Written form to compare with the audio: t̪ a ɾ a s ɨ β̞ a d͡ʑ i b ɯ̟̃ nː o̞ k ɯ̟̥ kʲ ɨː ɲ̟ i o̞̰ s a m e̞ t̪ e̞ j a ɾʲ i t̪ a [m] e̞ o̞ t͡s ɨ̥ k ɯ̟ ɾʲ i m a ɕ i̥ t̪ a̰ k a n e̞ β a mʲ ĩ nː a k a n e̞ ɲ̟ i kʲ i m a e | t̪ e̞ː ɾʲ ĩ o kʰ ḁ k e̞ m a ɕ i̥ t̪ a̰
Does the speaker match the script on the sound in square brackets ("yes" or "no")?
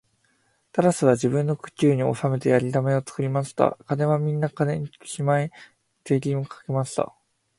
yes